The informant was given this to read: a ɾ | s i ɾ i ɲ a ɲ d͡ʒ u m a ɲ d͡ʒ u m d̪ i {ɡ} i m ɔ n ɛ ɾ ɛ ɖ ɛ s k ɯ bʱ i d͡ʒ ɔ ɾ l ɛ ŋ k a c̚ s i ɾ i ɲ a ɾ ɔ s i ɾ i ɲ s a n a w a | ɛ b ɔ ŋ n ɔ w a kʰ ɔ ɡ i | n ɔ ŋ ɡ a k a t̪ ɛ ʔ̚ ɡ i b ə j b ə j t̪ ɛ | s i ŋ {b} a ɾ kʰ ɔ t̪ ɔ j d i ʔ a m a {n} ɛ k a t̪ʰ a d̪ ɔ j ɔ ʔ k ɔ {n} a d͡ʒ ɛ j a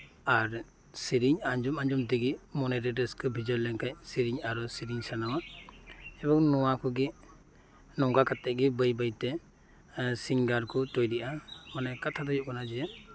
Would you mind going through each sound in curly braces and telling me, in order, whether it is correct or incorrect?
correct, incorrect: ɡ, correct, correct

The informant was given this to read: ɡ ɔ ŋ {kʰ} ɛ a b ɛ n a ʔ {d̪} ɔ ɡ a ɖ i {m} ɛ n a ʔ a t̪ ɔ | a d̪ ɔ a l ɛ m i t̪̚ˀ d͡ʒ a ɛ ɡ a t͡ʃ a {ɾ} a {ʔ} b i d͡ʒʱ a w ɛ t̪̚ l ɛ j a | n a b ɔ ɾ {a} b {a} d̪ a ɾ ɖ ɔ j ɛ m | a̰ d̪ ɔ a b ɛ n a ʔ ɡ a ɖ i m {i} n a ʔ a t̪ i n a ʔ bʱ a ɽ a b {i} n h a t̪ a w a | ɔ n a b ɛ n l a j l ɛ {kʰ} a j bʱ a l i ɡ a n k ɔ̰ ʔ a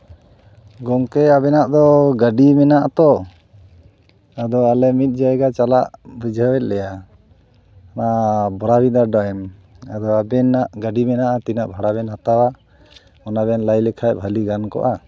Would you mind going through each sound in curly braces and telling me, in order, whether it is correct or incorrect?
incorrect: k, correct, correct, incorrect: l, correct, correct, incorrect: i, incorrect: ɛ, incorrect: ɛ, correct

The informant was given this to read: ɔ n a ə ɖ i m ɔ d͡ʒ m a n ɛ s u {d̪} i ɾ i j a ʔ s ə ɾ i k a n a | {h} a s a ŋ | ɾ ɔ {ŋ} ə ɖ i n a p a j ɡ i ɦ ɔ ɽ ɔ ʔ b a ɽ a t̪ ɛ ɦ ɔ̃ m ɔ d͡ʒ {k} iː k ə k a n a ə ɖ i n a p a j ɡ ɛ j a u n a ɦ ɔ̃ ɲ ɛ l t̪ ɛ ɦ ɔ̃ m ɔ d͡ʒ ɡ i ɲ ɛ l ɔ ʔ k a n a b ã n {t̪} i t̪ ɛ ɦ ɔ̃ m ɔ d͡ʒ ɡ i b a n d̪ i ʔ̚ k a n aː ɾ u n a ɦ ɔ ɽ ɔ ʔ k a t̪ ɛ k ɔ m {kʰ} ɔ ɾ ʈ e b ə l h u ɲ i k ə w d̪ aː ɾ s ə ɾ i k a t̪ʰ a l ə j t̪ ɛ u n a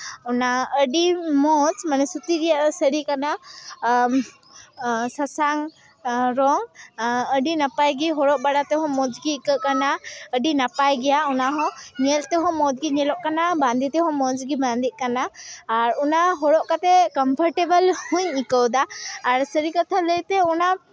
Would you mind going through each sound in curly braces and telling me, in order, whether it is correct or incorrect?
incorrect: t̪, incorrect: s, correct, incorrect: ɡ, incorrect: d̪, incorrect: pʰ

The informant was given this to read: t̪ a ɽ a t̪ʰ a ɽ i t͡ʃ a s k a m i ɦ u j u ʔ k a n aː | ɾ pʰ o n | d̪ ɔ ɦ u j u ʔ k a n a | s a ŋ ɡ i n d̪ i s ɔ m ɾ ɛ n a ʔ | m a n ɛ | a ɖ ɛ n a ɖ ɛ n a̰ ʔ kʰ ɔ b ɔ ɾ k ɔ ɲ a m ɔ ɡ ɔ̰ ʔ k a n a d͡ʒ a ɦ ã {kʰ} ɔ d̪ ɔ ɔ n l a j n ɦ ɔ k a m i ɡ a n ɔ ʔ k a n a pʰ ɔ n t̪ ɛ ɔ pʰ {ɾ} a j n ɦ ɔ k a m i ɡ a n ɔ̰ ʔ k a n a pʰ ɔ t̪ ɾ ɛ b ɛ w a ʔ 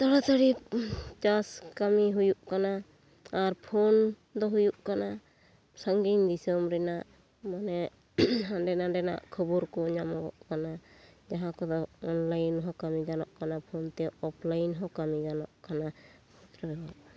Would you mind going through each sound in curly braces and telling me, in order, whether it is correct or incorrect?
incorrect: k, incorrect: l

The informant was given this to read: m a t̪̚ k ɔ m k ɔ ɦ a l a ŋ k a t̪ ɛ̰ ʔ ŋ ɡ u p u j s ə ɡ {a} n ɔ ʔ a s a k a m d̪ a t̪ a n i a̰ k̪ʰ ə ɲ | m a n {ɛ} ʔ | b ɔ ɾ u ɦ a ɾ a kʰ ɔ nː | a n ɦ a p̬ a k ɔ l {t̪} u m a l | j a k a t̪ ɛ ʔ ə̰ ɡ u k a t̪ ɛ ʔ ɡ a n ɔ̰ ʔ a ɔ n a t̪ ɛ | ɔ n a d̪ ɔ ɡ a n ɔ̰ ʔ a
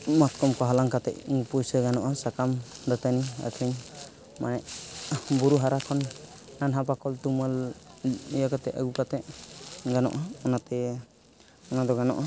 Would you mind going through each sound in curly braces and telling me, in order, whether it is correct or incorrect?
correct, correct, correct

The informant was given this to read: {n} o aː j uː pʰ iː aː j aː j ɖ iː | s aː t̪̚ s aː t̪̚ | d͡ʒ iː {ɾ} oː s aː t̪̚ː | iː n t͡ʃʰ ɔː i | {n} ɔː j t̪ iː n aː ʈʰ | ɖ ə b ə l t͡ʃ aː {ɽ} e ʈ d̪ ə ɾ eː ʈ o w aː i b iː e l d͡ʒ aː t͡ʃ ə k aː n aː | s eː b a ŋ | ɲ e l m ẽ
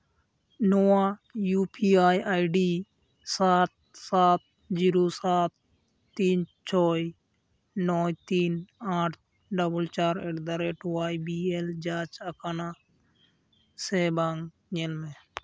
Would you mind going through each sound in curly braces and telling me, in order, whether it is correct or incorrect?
correct, correct, correct, incorrect: ɾ

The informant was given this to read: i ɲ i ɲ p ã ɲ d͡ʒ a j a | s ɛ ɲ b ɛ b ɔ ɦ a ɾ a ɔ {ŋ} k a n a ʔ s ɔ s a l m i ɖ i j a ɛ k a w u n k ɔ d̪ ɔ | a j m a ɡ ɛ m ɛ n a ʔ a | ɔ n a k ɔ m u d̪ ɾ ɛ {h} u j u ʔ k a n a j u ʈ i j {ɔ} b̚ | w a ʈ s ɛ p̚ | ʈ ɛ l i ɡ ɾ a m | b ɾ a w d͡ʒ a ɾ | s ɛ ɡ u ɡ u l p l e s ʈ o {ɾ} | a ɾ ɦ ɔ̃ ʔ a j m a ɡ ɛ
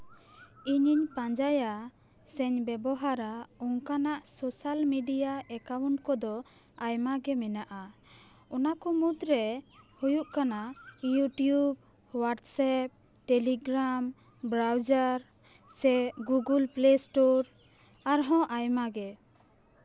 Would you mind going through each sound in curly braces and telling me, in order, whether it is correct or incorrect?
correct, correct, incorrect: u, correct

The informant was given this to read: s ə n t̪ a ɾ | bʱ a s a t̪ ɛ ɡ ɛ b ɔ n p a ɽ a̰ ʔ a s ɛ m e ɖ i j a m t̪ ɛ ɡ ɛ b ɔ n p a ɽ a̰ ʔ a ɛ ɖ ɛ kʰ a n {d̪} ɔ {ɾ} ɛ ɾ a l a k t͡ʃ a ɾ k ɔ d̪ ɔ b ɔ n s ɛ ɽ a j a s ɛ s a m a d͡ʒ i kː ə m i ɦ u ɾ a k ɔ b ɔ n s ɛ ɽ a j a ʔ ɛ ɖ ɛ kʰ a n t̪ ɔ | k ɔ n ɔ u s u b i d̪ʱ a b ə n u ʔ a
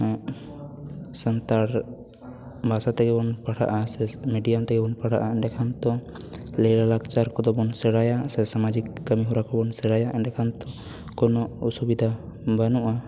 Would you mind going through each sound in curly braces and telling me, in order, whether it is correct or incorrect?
incorrect: t̪, incorrect: l

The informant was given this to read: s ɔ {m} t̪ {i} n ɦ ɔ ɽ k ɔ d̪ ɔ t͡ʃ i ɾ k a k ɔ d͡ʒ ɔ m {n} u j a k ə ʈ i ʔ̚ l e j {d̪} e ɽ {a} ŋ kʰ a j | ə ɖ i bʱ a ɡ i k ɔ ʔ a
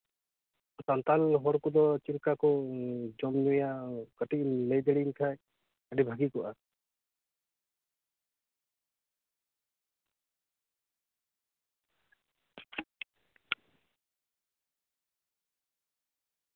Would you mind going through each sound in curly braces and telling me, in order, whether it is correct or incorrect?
incorrect: n, incorrect: a, correct, correct, incorrect: i

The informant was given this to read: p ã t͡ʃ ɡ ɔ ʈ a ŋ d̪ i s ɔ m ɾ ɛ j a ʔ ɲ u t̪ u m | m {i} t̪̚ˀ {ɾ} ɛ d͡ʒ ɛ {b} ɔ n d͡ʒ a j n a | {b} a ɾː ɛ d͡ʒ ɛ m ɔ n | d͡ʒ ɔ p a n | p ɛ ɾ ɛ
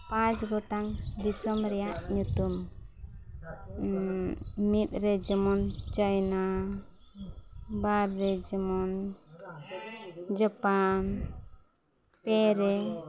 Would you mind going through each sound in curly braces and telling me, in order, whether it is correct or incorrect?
correct, correct, incorrect: m, correct

